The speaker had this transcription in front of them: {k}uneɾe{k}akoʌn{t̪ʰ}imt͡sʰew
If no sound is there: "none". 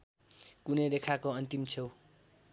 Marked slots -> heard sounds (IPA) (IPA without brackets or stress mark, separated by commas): k, kʰ, t̪